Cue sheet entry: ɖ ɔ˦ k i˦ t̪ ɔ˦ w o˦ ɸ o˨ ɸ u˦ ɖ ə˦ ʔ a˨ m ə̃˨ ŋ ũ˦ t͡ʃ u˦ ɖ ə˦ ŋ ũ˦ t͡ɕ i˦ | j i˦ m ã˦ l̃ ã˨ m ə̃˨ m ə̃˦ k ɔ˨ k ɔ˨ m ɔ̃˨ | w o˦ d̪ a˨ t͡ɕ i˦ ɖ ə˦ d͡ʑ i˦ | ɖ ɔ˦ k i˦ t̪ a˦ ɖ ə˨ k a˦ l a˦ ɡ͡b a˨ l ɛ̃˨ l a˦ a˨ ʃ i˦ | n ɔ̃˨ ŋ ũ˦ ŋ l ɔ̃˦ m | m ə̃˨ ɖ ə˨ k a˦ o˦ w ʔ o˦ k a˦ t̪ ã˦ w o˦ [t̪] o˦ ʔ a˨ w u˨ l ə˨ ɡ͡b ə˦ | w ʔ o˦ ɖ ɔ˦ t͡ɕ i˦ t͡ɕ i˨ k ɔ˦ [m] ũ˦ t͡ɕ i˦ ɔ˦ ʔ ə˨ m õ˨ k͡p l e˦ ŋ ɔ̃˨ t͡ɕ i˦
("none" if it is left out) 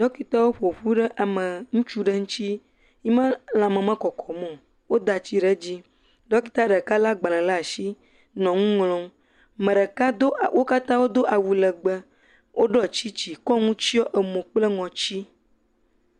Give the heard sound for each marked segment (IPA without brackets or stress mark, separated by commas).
d̪, ŋ